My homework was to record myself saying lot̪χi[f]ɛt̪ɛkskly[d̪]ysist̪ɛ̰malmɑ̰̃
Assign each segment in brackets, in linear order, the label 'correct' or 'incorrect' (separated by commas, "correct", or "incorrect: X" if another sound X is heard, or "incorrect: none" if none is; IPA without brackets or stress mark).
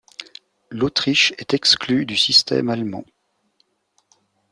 incorrect: ʃ, correct